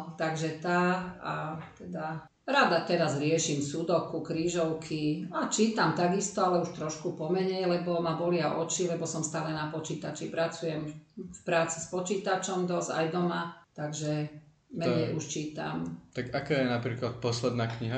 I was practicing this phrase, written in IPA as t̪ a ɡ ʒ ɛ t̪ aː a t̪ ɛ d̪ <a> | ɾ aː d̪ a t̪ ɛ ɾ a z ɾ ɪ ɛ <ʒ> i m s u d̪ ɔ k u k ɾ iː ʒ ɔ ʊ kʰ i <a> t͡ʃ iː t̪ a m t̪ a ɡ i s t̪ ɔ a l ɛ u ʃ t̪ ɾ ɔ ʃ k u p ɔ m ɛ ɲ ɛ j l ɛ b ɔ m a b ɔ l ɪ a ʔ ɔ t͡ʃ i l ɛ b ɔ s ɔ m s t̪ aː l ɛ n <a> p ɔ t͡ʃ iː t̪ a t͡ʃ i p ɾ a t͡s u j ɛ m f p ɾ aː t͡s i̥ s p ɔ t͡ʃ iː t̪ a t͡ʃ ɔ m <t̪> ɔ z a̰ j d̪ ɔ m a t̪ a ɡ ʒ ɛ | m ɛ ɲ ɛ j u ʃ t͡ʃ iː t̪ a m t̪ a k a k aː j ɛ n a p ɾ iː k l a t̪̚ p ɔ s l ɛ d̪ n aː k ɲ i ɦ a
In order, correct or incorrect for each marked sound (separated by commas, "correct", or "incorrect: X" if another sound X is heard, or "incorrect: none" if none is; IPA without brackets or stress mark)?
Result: correct, incorrect: ʃ, correct, correct, incorrect: d̪